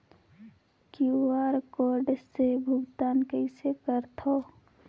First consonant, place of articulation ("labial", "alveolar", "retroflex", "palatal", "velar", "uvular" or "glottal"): velar